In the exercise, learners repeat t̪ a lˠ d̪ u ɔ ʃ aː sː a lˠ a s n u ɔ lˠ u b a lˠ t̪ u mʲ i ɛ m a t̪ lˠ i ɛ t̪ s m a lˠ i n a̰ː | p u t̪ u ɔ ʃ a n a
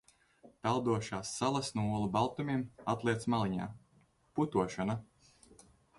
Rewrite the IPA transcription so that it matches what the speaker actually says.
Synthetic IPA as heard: t̪ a lˠ d̪ u ɔ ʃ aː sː a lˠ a s n u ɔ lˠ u b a lˠ t̪ u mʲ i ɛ m a t̪ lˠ i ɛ t̪ s m a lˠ i ɲ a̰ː | p u t̪ u ɔ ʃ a n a